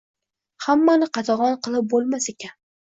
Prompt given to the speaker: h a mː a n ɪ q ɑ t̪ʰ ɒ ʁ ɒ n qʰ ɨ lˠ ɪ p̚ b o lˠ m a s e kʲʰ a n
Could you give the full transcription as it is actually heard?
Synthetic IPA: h a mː a n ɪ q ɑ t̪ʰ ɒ ʁ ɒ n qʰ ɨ lˠ ɪ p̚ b o lˠ m a s e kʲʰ a n